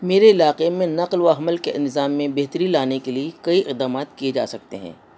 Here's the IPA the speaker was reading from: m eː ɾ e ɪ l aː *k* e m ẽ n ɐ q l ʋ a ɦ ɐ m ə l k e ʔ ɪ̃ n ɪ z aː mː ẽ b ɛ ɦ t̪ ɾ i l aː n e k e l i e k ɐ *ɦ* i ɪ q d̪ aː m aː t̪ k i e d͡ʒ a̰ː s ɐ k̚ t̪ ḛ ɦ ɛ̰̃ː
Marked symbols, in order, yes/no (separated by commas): no, no